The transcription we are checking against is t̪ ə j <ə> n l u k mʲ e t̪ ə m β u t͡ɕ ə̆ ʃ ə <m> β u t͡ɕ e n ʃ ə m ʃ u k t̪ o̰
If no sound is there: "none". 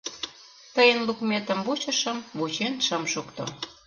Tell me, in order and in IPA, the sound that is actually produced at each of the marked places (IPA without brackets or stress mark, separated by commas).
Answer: ə, m